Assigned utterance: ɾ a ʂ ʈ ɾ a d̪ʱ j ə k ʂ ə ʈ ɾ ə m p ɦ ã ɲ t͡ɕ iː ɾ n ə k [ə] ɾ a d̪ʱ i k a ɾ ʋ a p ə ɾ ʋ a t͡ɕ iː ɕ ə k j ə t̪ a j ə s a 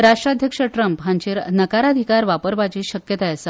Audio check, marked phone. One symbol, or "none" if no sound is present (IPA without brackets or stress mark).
a